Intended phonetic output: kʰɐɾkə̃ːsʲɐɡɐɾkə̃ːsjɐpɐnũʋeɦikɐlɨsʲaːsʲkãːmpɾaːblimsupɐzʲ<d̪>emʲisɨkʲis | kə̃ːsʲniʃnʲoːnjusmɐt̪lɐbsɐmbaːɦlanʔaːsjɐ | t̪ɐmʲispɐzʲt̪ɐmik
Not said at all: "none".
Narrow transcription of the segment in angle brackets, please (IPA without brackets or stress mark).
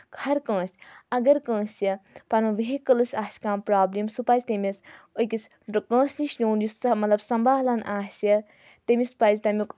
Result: t̪